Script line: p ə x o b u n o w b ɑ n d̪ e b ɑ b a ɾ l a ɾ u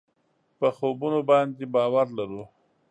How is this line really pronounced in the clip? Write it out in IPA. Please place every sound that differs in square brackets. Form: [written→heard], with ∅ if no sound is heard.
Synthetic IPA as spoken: p ə x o b u n o [w→∅] b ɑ n d̪ e b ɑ [b→w] a ɾ l a ɾ u